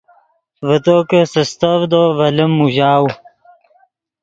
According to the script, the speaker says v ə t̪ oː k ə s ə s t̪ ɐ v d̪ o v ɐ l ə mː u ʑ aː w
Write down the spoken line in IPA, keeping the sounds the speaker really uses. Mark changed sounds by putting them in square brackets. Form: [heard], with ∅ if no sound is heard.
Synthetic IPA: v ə t̪ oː k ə s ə s t̪ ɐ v d̪ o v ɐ l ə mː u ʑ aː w